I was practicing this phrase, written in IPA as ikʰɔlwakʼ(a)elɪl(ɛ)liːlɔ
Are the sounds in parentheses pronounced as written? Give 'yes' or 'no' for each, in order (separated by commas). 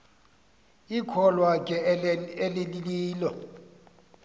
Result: no, no